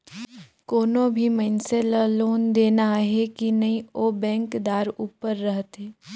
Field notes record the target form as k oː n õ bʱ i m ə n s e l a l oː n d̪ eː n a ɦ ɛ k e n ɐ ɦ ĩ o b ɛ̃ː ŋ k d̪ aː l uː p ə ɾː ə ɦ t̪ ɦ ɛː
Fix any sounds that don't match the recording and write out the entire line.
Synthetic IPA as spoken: k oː n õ bʱ i m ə n s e l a l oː n d̪ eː n a ɦ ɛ k i n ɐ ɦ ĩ o b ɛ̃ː ŋ k d̪ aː ɾ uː p ə ɾː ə ɦ t̪ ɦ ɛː

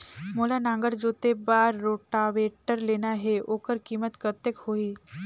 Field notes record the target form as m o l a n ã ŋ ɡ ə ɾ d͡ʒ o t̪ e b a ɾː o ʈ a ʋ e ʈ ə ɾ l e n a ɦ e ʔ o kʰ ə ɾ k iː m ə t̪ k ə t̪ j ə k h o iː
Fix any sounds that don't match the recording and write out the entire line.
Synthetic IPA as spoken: m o l a n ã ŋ ɡ ə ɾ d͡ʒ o t̪ e b a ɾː o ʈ a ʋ e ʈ ə ɾ l e n a ɦ e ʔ o k ə ɾ k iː m ə t̪ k ə t̪ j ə k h o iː

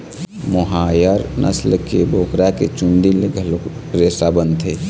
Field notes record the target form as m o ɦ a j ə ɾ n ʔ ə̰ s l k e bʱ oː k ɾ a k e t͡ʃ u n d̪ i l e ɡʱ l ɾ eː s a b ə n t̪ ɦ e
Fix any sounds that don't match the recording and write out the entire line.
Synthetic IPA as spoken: m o ɦ a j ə ɾ n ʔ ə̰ s l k e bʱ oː k ɾ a k e t͡ʃ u n d̪ i l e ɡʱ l ɾ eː s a b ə n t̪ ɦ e

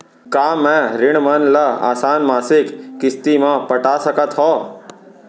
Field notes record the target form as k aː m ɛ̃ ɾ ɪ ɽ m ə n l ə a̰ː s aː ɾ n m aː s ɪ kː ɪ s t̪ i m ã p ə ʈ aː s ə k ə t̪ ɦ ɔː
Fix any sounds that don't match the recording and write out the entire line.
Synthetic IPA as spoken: k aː m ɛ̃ ɾ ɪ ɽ m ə n l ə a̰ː s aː n m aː s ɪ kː ɪ s t̪ i m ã p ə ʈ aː s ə k ə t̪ ɦ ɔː

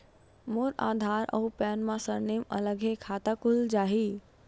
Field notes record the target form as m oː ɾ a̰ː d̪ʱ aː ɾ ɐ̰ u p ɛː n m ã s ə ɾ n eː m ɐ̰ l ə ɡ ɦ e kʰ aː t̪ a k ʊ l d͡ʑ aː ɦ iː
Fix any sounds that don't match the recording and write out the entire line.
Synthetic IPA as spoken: m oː ɾ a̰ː d̪ʱ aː ɾ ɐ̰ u p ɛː n m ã s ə ɾ n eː m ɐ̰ l ə ɡ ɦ e kʰ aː t̪ a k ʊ l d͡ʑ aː ɦ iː

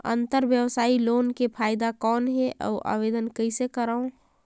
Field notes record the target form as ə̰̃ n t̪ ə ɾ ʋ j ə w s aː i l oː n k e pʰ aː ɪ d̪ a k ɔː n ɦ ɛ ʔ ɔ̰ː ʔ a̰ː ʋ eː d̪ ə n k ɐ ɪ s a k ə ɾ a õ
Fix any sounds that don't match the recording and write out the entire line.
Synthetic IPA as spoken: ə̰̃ n t̪ ə ɾ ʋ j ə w s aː i l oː n k e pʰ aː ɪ d̪ a k ɔː n ɦ ɛ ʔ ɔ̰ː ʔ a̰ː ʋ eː d̪ ə n k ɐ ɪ s e k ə ɾ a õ

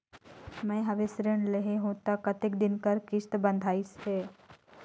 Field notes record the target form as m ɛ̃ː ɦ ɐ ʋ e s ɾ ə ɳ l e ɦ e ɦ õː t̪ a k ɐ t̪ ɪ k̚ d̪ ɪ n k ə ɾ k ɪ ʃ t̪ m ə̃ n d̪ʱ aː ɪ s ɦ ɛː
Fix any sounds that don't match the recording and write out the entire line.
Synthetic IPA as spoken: m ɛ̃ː ɦ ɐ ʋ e s ɾ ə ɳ l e ɦ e ɦ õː t̪ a k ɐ t̪ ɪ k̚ d̪ ɪ n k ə ɾ k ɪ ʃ t̪ b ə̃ n d̪ʱ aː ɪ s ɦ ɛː

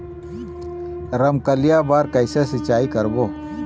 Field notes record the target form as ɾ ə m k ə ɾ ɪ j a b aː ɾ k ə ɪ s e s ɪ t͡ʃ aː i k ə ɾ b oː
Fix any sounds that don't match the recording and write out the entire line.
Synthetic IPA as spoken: ɾ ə m k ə l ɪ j a b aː ɾ k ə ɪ s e s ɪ t͡ʃ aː i k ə ɾ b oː

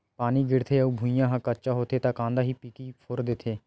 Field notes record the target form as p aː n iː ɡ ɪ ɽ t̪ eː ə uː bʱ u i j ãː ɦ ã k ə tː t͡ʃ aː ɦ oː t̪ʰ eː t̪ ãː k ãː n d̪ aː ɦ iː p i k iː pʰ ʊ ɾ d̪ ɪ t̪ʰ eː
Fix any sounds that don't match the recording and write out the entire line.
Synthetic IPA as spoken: p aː n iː ɡ ɪ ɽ t̪ʰ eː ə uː bʱ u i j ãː ɦ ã k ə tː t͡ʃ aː ɦ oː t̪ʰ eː t̪ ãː k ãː n d̪ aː ɦ iː p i k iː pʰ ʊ ɾ d̪ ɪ t̪ʰ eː

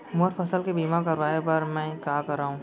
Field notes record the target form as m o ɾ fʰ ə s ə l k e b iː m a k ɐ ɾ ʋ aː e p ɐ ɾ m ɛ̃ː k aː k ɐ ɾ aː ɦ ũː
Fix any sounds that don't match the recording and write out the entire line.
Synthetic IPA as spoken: m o ɾ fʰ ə s ə l k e b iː m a k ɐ ɾ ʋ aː e p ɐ ɾ m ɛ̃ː k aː k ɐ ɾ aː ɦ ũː

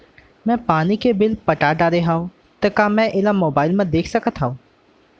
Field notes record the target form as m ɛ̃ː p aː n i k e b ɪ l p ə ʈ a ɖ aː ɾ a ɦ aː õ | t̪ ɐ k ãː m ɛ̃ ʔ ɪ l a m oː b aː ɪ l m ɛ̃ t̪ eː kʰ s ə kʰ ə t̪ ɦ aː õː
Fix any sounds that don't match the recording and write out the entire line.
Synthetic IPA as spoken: m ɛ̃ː p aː n i k e b ɪ l p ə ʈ a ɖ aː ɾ e ɦ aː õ | t̪ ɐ k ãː m ɛ̃ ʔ ɪ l a m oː b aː ɪ l m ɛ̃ d̪ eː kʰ s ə k ə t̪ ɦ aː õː

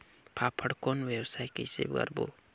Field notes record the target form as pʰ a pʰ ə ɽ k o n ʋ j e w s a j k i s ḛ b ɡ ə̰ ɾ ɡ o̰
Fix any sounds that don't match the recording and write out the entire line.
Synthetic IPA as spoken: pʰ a pʰ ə ɽ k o n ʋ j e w s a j k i s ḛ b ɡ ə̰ ɾ b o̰

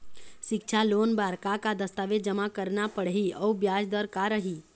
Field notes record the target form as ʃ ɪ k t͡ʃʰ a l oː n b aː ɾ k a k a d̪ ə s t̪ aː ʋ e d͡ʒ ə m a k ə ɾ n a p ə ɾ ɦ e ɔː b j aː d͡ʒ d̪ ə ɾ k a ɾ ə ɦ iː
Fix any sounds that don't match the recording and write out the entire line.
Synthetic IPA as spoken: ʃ ɪ k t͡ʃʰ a l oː n b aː ɾ k a k a d̪ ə s t̪ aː ʋ e d͡ʒ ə m a k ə ɾ n a p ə ɽ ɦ i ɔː b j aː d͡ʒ d̪ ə ɾ k a ɾ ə ɦ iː

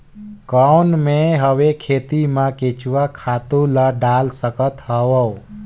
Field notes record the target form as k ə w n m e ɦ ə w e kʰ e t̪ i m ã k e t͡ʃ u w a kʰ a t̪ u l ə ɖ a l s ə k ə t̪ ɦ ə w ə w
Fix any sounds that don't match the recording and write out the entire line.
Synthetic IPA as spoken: k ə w n m e ɦ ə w e kʰ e t̪ i m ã k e t͡ʃ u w a kʰ a t̪ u l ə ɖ a l s ə k ə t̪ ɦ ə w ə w

